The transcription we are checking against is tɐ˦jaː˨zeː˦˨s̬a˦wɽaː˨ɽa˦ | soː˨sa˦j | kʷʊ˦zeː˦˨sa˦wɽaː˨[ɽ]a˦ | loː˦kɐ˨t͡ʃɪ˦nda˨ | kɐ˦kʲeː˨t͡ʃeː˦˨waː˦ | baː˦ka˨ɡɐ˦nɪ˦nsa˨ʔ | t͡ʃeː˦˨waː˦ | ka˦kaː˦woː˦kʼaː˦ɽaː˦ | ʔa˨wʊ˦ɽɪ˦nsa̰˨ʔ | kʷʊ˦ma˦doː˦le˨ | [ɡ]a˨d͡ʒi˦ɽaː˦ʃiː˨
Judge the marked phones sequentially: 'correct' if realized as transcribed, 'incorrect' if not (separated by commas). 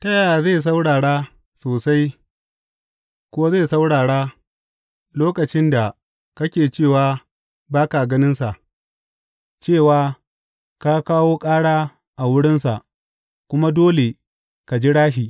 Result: correct, incorrect